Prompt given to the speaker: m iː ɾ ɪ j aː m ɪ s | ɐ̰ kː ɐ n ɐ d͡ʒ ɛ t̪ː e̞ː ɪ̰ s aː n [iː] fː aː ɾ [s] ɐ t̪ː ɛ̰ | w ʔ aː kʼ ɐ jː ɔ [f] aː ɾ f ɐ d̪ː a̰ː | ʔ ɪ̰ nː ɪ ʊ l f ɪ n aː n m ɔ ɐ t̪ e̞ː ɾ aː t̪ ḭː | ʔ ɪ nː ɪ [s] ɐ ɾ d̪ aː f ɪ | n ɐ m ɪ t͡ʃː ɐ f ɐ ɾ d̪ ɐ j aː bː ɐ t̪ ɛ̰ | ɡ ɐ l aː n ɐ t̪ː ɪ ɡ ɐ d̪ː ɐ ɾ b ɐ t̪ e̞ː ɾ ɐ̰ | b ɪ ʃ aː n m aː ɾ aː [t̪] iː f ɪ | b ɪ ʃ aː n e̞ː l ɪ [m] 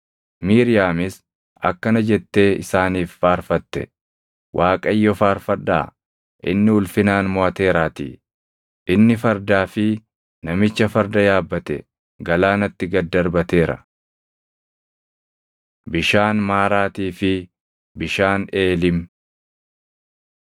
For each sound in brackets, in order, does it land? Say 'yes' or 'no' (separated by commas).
yes, no, yes, no, yes, yes